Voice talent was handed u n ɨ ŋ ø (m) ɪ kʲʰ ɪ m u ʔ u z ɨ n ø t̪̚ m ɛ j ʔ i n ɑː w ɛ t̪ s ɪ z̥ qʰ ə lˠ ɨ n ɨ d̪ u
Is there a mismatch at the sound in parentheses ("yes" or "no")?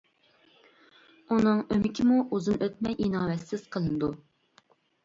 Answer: no